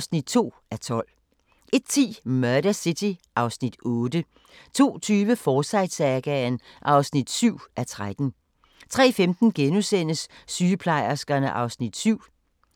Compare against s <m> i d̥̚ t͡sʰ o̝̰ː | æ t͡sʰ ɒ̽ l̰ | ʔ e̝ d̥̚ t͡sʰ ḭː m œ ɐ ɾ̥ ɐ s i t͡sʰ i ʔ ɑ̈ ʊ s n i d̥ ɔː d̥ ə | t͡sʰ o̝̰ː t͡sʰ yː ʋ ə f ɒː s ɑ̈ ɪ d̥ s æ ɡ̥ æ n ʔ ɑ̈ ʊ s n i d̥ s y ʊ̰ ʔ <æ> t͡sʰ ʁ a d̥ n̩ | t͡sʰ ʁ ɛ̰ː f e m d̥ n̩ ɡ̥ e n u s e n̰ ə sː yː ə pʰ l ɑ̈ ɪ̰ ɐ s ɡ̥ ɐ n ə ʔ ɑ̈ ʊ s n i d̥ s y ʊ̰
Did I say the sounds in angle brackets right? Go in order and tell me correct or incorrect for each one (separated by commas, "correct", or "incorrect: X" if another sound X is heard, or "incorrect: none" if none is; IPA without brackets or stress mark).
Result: incorrect: n, correct